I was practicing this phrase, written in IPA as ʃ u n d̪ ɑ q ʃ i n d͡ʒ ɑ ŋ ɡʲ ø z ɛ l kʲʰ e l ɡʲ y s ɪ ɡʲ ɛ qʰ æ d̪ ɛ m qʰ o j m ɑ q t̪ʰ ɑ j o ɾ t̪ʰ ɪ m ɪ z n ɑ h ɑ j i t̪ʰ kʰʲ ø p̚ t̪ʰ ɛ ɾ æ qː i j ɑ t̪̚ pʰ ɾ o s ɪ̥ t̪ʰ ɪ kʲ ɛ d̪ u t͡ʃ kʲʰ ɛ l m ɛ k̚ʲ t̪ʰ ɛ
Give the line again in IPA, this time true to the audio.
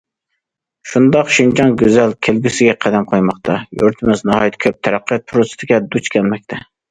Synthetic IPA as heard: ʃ u n d̪ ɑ q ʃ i n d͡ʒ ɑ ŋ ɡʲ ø z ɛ l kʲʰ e l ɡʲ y s ɪ ɡʲ ɛ qʰ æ d̪ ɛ m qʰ o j m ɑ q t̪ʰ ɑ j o ɾ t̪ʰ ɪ m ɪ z n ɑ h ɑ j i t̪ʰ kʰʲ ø p̚ t̪ʰ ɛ ɾ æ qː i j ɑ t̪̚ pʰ ɾ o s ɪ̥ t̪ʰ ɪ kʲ ɛ d̪ u t͡ʃ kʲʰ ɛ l m ɛ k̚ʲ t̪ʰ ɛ